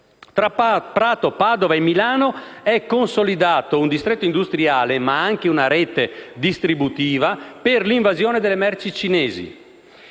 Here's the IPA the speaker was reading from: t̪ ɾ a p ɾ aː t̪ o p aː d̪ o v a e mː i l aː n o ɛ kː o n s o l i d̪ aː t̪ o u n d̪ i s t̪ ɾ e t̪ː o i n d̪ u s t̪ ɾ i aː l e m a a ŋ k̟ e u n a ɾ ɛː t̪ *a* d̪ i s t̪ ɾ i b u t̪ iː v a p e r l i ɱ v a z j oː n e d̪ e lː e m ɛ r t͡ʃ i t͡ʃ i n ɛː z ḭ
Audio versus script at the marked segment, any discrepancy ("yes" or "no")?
yes